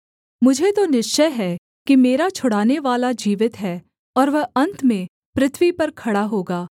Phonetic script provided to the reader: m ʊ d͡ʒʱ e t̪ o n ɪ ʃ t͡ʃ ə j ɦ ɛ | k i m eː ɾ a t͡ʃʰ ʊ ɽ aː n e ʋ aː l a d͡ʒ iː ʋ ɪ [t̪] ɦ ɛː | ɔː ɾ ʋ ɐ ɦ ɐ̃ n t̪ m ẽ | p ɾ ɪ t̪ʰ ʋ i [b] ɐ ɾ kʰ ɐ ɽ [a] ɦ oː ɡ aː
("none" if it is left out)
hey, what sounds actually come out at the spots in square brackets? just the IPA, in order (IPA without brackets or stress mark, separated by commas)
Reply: t̪, p, a